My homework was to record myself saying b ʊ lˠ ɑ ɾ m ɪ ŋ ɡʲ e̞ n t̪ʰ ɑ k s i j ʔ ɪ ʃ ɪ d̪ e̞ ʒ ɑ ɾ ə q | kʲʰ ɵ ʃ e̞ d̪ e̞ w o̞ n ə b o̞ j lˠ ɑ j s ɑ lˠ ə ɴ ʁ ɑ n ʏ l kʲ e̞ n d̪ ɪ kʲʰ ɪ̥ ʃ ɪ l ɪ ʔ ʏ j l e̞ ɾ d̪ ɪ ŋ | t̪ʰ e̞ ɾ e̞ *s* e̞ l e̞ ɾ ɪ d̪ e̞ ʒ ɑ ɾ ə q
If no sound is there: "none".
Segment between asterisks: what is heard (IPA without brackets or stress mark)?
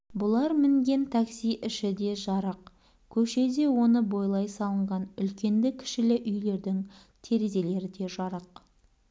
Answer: z